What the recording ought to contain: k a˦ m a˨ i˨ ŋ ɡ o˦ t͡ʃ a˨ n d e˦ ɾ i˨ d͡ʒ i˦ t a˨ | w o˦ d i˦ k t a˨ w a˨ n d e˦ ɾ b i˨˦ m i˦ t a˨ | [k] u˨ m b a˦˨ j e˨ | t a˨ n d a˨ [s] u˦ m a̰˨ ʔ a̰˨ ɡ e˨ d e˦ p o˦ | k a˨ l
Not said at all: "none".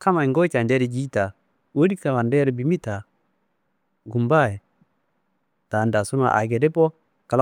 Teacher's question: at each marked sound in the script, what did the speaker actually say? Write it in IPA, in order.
ɡ, s

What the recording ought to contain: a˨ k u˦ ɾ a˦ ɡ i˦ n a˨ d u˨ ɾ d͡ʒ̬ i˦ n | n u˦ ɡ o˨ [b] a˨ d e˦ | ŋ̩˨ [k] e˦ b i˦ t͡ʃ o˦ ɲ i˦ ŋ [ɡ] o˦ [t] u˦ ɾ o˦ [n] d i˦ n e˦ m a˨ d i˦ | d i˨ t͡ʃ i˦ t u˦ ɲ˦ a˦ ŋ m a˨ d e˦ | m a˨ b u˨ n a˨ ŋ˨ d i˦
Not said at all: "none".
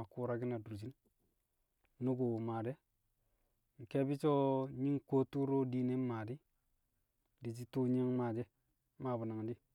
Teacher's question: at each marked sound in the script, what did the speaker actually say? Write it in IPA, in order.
m, k, k, t, none

